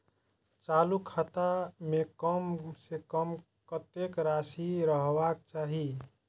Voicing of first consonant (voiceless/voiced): voiceless